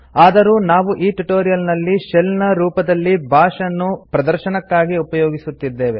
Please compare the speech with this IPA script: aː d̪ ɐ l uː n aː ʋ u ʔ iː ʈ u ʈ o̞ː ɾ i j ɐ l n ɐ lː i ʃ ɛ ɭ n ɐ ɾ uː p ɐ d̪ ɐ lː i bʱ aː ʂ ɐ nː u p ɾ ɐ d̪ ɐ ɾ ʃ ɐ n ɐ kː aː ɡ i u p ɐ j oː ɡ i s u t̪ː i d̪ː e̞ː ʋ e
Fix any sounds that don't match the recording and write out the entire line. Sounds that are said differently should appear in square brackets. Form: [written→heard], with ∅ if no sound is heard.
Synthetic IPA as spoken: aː d̪ ɐ [l→ɾ] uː n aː ʋ u ʔ iː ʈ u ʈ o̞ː ɾ i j ɐ l n ɐ lː i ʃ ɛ [ɭ→l] n ɐ ɾ uː p ɐ d̪ ɐ lː i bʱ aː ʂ ɐ nː u p ɾ ɐ d̪ ɐ ɾ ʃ ɐ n ɐ kː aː ɡ i u p ɐ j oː ɡ i s u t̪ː i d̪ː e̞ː ʋ e